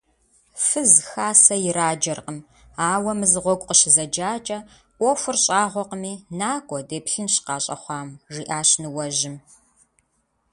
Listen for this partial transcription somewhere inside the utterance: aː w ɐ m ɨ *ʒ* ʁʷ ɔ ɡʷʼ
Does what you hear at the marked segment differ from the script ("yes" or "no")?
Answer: yes